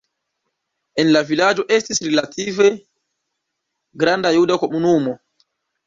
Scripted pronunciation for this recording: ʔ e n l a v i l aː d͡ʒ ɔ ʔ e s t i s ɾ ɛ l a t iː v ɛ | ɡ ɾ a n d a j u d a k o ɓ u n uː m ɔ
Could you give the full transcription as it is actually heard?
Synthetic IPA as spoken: ʔ ɛ n l a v i l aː d͡ʒ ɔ ʔ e s t i s ɾ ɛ l a t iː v ɛ | ɡ ɾ a n d a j u d a k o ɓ u n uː m ɔ